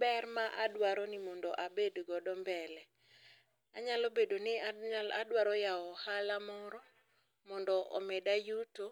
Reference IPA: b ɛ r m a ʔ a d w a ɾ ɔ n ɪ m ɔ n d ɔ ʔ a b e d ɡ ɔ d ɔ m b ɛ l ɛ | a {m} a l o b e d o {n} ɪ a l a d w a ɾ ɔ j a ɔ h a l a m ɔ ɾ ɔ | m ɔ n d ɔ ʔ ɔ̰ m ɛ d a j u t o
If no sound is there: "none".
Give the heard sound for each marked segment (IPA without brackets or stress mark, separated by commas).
ɲ, n